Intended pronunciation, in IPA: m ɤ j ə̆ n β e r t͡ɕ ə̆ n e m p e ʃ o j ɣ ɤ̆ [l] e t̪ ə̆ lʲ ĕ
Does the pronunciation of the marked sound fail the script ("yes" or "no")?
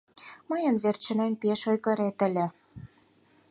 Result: yes